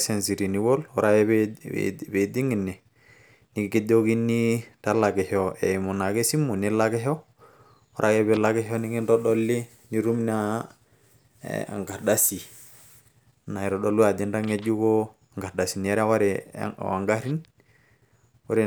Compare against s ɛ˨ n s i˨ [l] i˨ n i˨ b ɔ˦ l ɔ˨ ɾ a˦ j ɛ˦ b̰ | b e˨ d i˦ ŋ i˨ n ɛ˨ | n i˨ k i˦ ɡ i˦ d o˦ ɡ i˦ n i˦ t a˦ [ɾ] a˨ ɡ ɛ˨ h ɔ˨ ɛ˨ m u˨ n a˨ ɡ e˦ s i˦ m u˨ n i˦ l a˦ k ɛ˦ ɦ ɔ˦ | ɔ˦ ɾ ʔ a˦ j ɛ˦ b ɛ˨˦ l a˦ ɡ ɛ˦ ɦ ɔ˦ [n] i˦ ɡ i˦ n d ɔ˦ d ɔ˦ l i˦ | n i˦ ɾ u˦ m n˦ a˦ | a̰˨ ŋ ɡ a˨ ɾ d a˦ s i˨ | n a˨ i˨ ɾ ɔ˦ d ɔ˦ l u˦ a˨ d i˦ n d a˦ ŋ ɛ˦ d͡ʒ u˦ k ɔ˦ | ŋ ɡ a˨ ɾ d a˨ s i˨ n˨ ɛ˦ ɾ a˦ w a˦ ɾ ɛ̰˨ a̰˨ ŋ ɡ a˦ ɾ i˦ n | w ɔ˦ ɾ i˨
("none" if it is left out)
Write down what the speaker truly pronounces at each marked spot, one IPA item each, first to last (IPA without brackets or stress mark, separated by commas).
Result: ɾ, l, n